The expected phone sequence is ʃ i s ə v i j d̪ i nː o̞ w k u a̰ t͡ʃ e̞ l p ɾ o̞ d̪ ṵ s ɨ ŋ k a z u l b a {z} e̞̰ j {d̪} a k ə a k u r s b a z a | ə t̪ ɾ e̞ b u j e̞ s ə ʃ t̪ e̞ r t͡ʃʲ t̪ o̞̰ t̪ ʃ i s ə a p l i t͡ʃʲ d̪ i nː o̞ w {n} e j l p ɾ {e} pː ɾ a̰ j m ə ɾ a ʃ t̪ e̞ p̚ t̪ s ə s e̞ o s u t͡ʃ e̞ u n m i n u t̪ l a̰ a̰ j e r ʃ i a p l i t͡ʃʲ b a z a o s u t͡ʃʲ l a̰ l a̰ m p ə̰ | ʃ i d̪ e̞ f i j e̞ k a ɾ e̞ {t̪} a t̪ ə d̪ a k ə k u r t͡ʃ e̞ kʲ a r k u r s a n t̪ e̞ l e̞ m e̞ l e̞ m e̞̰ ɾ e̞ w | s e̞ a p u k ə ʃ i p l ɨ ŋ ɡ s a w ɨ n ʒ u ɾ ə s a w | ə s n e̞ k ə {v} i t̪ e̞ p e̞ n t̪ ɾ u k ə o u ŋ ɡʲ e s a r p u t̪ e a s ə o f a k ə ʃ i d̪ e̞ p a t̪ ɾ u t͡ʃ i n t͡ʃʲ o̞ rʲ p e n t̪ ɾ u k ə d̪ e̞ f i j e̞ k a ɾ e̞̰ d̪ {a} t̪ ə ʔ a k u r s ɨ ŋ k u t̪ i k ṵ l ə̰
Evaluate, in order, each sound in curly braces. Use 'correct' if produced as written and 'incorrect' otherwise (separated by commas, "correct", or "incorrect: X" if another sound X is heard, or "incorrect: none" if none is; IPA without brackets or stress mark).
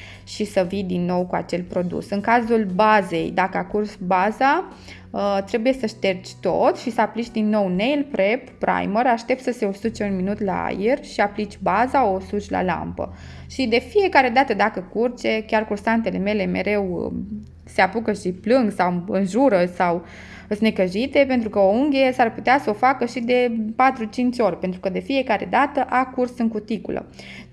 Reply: correct, correct, correct, correct, incorrect: d̪, incorrect: ʒ, correct